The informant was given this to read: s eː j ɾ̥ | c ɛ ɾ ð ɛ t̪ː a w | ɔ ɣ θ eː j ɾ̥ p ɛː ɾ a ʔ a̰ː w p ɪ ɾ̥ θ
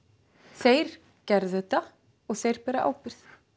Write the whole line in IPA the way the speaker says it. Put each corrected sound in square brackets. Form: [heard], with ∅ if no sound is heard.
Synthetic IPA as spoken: [θ] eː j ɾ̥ | c ɛ ɾ ð ɛ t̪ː a [∅] | ɔ ɣ θ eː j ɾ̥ p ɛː ɾ a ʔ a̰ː w p ɪ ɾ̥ θ